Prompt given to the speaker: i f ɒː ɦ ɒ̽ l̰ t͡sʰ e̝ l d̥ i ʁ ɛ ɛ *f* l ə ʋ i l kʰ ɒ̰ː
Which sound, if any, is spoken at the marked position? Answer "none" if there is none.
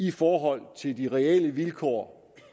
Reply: none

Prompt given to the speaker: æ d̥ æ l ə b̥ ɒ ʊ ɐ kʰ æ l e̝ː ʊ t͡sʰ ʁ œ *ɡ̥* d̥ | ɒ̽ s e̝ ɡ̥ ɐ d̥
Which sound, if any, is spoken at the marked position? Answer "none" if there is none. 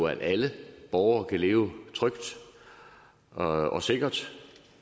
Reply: ɡ̥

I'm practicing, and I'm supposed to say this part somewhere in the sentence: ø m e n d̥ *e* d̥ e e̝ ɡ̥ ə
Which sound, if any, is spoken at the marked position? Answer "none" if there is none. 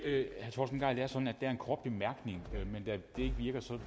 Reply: æ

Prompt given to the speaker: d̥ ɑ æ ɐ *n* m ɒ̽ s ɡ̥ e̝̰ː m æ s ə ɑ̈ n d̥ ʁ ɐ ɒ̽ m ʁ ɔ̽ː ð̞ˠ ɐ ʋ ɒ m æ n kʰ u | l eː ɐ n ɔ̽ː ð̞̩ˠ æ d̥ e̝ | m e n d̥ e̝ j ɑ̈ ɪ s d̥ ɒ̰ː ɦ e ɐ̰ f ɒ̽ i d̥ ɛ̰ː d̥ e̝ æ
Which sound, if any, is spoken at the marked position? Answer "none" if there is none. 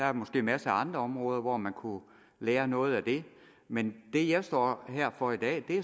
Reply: none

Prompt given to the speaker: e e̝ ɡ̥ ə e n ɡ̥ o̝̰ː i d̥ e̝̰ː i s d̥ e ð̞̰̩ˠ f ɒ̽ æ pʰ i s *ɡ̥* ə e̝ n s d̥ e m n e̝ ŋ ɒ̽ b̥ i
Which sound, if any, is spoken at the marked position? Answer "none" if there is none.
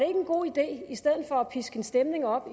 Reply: ɡ̥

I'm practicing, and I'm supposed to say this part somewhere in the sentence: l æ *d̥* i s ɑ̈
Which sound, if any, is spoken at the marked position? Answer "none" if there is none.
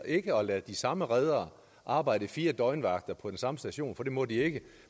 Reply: d̥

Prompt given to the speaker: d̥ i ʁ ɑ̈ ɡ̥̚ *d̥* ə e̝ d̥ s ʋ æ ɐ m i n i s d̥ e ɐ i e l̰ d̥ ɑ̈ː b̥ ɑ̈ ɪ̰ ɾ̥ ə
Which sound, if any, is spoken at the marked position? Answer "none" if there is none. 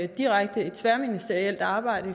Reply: d̥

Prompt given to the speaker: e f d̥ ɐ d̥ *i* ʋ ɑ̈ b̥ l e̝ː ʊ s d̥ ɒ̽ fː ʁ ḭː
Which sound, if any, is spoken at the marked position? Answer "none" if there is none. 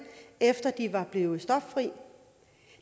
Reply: i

